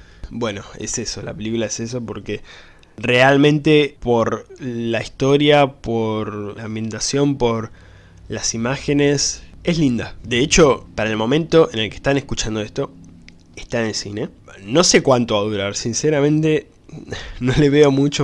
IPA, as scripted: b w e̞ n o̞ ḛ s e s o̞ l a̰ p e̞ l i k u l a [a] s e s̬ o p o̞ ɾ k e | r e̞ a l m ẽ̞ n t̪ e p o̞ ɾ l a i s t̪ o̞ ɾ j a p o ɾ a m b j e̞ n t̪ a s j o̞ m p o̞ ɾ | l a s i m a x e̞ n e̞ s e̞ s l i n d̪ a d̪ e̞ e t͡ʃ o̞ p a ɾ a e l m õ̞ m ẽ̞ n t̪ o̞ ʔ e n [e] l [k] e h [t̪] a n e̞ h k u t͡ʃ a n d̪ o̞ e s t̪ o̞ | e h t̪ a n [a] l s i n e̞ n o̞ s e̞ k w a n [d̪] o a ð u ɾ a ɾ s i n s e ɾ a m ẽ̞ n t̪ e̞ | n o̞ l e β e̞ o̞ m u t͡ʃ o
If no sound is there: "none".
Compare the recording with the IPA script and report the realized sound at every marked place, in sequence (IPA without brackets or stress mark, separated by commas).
e, e, k, t̪, e, t̪